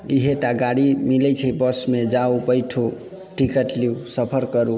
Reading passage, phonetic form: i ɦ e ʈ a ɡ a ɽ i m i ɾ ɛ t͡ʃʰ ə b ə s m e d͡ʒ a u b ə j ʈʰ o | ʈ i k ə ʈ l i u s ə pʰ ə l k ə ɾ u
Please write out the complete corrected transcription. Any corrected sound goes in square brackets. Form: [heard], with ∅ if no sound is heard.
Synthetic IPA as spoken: i ɦ e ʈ a ɡ a ɽ i m i [l] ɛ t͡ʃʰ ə b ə s m e d͡ʒ a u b ə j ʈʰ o | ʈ i k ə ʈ l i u s ə pʰ ə [ɾ] k ə ɾ u